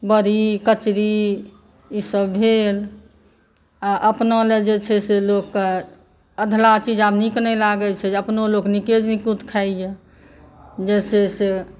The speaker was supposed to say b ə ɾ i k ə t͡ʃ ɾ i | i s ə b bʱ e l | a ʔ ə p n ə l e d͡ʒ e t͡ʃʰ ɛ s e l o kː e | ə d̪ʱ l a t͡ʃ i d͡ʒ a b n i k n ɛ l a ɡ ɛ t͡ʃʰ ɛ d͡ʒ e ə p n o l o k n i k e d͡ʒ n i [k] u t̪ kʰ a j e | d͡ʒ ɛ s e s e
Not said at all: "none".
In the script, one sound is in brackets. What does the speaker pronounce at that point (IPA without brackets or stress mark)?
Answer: k